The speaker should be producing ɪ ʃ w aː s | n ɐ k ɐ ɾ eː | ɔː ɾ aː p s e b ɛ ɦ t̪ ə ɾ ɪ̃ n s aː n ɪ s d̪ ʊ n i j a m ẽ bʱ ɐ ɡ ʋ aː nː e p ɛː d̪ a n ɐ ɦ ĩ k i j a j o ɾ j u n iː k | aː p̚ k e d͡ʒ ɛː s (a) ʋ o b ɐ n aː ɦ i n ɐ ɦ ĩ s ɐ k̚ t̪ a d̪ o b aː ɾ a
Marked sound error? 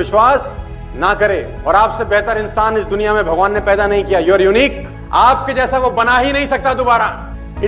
no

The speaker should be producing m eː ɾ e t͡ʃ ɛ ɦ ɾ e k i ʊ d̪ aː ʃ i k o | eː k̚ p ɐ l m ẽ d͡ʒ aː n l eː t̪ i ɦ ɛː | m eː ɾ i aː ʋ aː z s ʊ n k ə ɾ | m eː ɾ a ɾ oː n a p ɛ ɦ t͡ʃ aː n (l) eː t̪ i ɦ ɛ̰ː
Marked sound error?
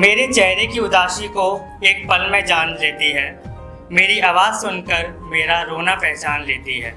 no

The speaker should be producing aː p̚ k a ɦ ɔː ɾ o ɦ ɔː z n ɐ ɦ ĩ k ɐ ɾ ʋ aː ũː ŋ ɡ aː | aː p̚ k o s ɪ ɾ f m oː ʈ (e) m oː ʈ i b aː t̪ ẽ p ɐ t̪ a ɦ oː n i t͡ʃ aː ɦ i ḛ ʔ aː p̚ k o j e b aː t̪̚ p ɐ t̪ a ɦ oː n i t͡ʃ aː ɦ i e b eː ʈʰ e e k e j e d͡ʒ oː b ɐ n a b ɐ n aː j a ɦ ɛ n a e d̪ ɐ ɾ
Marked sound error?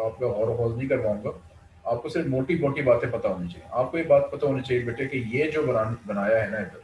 yes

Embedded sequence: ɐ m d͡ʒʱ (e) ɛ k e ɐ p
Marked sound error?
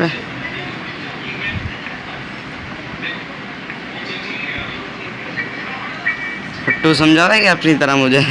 yes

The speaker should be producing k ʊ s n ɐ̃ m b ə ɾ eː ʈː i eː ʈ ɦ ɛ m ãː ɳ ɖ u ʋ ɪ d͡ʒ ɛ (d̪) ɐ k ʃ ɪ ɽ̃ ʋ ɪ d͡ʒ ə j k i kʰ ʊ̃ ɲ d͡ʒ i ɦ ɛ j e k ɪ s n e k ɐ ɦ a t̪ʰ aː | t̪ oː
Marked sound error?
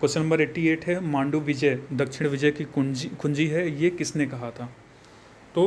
no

